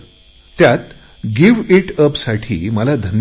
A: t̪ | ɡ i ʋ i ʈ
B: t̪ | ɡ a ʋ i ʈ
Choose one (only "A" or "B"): A